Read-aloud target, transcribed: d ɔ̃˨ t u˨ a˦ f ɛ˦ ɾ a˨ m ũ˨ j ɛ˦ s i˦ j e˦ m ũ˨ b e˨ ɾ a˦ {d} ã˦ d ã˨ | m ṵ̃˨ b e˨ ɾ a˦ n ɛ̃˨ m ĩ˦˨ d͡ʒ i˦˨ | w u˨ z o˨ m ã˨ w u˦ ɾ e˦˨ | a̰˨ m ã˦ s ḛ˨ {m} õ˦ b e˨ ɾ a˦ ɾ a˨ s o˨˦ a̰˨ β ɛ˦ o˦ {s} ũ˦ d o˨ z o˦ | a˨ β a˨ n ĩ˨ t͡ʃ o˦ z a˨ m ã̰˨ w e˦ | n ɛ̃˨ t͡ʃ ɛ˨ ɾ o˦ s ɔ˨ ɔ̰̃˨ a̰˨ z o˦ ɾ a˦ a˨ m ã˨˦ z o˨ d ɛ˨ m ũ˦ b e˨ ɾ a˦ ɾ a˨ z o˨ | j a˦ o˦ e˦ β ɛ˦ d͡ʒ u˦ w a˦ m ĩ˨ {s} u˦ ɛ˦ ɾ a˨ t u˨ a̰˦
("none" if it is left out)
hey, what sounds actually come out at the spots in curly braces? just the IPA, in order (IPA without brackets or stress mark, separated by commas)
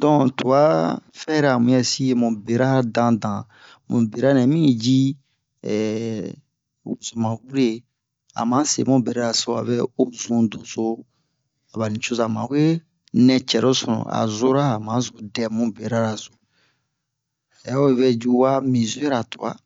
d, m, z, z